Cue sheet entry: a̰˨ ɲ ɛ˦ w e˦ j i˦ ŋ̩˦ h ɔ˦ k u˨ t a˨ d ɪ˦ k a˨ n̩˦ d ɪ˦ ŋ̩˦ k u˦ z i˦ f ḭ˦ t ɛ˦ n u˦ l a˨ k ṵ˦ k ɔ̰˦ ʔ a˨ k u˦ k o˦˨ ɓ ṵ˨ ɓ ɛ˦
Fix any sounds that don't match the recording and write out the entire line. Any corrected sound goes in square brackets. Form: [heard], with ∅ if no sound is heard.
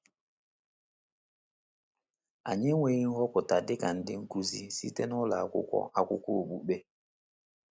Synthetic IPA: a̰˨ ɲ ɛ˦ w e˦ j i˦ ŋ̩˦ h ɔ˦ k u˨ t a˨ d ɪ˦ k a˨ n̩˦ d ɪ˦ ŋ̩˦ k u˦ z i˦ [s] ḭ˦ t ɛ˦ n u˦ l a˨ k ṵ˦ k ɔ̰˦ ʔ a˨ k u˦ k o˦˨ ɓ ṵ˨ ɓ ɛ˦